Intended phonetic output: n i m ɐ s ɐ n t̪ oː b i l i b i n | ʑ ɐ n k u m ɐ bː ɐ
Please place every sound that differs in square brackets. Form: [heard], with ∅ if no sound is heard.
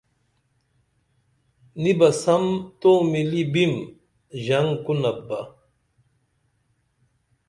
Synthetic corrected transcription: n i [b] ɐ s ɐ [m] t̪ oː [m] i l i b i [m] | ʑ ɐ [ŋ] k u [n] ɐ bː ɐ